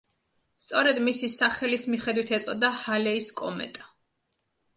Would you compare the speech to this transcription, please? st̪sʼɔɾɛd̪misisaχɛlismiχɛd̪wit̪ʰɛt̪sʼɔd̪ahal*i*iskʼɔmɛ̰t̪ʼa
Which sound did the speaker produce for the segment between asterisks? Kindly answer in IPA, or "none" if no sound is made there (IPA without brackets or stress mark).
ɛ